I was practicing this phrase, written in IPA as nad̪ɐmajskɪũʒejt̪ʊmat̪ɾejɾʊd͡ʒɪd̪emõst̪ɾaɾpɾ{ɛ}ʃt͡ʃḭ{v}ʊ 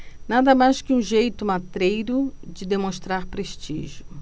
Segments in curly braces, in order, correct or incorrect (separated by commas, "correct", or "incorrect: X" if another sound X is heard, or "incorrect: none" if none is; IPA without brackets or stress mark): incorrect: e, incorrect: ʒ